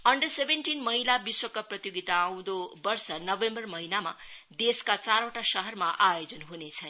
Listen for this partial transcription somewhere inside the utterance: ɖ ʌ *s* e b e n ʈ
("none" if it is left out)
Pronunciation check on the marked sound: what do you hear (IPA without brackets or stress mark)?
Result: s